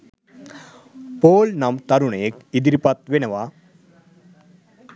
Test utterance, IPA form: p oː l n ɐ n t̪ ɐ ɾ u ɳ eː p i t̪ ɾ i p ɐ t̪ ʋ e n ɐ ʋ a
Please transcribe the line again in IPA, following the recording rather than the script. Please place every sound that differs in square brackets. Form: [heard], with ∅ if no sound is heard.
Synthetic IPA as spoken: p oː l n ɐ [m] t̪ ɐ ɾ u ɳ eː [k] i [d̪] ɾ i p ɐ t̪ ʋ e n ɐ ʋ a